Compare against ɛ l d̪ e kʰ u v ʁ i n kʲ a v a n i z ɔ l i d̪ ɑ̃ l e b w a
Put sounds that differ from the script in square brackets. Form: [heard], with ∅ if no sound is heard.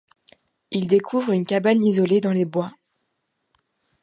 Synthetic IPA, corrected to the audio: [i] l d̪ e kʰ u v ʁ [y] n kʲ a [b] a n i z ɔ l [e] d̪ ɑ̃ l e b w a